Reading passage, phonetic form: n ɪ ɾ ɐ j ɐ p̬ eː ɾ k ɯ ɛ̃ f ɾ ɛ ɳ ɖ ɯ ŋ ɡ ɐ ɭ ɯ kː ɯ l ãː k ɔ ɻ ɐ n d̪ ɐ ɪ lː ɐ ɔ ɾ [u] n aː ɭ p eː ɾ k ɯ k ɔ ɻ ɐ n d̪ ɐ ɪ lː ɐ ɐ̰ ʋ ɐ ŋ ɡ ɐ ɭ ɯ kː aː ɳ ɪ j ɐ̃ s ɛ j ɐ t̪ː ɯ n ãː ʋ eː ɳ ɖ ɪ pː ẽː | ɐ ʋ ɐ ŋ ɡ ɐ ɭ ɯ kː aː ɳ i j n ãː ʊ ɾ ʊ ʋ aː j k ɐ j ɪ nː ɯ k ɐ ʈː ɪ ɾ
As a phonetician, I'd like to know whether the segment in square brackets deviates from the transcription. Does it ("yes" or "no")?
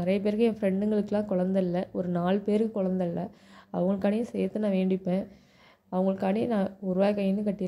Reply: yes